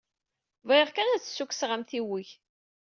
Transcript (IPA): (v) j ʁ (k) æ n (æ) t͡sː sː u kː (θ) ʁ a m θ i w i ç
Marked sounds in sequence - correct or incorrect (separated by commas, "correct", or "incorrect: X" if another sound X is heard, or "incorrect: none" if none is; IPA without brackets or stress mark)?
correct, correct, correct, incorrect: s